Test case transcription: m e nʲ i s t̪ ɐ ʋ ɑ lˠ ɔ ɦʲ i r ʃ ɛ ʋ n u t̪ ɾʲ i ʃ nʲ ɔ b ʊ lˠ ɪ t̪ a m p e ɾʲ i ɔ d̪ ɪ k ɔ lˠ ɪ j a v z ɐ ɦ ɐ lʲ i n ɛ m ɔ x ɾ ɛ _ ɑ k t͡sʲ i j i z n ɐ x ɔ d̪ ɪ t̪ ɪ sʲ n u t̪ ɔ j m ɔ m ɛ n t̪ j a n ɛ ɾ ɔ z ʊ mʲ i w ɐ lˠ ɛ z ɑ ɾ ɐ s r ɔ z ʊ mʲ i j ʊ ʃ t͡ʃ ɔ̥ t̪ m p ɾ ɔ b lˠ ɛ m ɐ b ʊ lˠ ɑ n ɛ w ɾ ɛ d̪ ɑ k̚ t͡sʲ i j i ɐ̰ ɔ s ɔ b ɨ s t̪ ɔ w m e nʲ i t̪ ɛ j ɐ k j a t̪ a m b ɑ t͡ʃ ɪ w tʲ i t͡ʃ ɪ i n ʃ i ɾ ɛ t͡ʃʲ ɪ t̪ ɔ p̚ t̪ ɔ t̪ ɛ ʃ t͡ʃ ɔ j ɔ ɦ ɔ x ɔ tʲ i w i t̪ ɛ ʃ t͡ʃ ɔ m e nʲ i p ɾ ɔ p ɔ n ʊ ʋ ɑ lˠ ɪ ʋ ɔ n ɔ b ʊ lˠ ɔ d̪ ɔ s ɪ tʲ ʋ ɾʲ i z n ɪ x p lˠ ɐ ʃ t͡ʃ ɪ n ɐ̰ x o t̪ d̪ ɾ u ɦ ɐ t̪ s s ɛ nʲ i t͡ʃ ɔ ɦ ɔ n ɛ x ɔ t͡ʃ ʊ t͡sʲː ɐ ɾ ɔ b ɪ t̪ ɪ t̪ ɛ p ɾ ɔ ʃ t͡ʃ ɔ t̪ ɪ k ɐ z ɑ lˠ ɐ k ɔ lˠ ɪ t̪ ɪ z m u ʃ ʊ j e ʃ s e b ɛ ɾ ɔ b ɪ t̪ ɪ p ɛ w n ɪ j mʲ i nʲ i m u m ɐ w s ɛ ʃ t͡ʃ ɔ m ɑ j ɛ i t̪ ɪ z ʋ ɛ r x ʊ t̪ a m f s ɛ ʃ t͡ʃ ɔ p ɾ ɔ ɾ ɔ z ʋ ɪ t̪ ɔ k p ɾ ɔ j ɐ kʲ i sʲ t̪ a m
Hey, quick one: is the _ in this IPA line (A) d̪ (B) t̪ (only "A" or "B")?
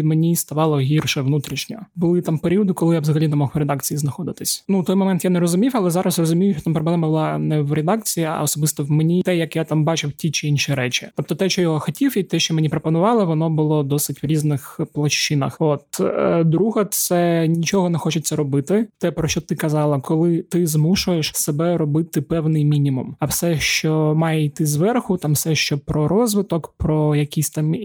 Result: A